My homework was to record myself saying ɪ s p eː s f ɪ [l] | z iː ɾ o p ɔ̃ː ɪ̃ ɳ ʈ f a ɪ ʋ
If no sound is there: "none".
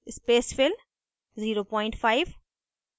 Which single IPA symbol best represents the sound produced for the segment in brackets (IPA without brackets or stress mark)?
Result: l